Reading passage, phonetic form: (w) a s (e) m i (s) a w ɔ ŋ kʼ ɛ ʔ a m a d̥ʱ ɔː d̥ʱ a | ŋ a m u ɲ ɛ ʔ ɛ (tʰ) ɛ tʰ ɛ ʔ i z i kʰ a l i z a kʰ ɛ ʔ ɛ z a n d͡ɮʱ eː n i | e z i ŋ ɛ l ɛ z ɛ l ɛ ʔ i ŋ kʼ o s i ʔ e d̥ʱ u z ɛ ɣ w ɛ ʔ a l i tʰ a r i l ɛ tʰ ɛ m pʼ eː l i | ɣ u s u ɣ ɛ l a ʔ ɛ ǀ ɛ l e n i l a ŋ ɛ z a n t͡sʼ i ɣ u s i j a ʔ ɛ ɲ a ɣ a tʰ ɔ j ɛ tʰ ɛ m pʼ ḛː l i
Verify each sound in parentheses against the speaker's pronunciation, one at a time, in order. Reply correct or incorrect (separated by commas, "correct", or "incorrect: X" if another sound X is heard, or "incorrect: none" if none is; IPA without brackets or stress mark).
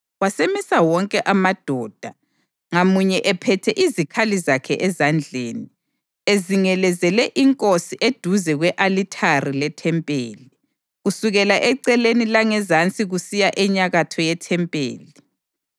correct, correct, correct, incorrect: pʰ